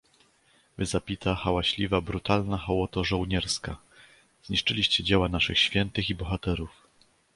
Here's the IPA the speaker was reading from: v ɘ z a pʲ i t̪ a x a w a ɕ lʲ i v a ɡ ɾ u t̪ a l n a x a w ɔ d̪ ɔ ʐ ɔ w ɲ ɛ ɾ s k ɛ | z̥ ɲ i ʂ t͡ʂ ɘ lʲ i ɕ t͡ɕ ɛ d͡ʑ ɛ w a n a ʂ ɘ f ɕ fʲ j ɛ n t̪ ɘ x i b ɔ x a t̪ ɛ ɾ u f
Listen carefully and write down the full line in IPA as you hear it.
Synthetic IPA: v ɘ z a pʲ i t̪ a x a w a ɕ lʲ i v a b ɾ u t̪ a l n a x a w ɔ t̪ ɔ ʐ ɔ w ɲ ɛ ɾ s k a | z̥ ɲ i ʂ t͡ʂ ɘ lʲ i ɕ t͡ɕ ɛ d͡ʑ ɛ w a n a ʂ ɘ x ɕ fʲ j ɛ n t̪ ɘ x i b ɔ x a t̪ ɛ ɾ u f